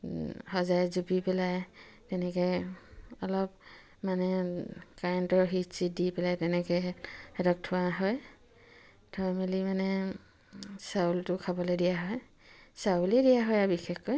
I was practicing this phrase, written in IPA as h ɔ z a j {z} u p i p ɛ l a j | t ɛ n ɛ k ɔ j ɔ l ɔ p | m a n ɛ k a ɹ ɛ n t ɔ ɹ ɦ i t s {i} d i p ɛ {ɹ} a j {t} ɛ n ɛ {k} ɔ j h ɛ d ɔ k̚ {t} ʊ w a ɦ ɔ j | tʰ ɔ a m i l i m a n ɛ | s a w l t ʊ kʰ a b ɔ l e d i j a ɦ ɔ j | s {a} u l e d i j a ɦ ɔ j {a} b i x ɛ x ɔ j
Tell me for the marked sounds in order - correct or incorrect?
correct, correct, incorrect, correct, correct, incorrect, correct, correct

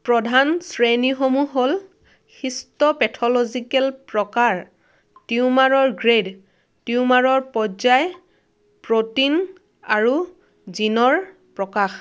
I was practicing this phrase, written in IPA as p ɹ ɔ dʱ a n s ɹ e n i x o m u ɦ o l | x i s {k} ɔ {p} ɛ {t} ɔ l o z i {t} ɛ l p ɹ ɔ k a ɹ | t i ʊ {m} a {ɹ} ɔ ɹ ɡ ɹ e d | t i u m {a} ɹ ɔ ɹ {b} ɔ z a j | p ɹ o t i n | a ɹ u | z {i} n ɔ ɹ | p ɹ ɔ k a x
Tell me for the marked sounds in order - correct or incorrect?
incorrect, correct, incorrect, incorrect, correct, correct, correct, incorrect, correct

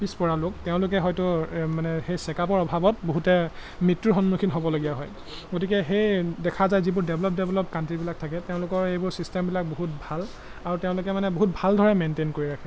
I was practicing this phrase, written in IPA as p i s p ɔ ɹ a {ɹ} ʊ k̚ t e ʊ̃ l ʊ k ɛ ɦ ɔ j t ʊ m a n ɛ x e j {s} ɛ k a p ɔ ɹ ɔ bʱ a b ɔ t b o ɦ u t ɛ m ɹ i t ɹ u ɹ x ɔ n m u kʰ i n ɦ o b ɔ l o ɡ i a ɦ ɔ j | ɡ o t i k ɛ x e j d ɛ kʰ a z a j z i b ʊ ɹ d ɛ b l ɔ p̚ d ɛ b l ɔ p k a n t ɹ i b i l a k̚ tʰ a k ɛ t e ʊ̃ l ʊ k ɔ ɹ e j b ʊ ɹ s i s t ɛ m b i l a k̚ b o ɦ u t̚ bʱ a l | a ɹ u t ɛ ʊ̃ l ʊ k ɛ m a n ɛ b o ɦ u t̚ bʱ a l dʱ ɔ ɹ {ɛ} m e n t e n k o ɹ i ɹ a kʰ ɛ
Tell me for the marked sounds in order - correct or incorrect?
incorrect, correct, correct

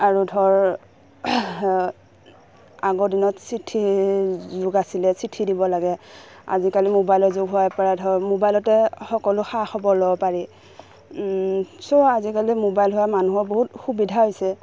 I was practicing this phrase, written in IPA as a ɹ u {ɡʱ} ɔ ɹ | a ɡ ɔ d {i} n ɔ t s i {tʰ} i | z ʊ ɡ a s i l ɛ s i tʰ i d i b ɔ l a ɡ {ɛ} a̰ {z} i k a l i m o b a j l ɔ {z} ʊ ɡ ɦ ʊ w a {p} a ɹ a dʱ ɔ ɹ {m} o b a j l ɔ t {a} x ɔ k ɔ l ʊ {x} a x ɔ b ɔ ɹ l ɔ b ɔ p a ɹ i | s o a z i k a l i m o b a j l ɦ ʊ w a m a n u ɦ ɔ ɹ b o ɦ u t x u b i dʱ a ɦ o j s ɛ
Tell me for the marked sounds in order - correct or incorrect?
incorrect, correct, correct, correct, correct, correct, correct, correct, incorrect, correct

